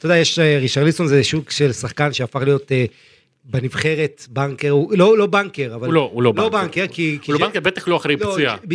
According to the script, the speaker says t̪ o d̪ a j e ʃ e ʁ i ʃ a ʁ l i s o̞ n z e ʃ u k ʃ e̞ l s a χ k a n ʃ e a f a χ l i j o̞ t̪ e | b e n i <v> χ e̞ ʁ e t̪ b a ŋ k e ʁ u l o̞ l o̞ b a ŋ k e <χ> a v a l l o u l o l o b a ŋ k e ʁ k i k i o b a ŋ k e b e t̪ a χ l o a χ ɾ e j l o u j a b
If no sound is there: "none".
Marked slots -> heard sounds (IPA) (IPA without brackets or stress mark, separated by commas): v, ʁ